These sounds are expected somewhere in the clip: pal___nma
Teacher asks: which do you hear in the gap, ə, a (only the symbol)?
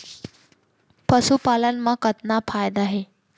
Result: ə